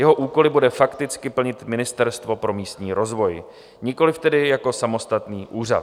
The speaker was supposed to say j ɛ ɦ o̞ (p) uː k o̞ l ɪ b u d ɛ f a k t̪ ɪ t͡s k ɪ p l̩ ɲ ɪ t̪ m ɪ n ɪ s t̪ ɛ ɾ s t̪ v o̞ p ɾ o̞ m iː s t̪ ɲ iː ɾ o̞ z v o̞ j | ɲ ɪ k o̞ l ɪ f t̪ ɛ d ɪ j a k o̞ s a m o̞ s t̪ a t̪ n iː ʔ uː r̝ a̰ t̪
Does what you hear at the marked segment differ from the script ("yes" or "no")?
yes